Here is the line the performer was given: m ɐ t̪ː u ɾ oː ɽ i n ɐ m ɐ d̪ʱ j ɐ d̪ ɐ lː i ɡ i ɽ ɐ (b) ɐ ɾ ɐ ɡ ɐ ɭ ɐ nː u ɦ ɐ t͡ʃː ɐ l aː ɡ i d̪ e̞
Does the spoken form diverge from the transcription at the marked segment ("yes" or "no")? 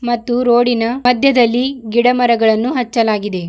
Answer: yes